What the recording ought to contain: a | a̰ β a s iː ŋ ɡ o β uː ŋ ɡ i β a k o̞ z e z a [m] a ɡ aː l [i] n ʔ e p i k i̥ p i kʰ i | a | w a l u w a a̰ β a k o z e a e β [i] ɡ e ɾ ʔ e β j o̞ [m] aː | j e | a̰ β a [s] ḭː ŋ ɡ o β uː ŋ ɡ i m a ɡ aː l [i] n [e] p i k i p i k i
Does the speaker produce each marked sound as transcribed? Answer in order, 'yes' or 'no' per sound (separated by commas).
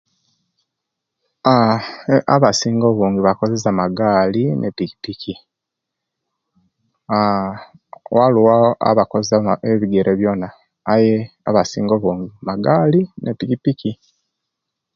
yes, yes, yes, no, yes, yes, yes